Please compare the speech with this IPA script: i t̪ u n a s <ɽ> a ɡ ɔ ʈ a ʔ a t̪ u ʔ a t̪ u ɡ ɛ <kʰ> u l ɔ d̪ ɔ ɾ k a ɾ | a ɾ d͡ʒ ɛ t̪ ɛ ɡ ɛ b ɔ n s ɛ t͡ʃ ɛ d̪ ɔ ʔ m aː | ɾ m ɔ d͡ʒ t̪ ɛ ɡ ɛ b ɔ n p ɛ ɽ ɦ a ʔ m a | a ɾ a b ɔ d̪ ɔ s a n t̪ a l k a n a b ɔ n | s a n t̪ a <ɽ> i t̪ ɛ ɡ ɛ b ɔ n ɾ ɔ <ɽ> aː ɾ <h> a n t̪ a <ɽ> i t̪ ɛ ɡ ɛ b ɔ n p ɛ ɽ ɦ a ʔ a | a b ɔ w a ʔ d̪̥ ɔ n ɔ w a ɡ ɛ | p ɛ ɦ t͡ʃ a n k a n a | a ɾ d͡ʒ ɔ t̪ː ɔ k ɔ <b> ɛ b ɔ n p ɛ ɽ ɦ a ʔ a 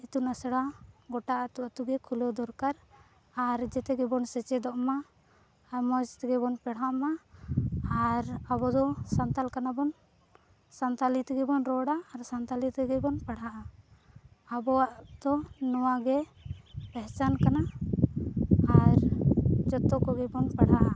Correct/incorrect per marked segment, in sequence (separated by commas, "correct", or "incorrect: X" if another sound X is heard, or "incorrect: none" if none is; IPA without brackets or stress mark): correct, correct, incorrect: l, correct, incorrect: s, incorrect: l, incorrect: ɡ